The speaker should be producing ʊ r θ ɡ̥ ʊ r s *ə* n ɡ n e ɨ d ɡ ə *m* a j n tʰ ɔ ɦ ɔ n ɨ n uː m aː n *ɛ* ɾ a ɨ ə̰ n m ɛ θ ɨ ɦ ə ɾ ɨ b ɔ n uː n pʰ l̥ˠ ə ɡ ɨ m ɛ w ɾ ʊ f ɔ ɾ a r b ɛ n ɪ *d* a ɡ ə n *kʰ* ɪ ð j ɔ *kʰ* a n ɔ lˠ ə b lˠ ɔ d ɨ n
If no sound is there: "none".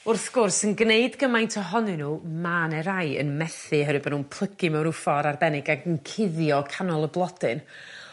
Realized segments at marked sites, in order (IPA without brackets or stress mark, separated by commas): ə, m, ɛ, ɡ, kʰ, kʰ